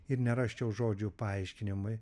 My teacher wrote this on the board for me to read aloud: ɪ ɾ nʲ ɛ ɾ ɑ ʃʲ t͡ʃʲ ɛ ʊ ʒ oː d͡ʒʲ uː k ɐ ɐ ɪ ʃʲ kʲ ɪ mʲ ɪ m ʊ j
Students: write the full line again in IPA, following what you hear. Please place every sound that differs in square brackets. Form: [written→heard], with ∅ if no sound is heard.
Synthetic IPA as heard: ɪ ɾ nʲ ɛ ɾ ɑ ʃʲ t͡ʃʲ ɛ ʊ ʒ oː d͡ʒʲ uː [k→p] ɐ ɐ ɪ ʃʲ kʲ ɪ [mʲ→nʲ] ɪ m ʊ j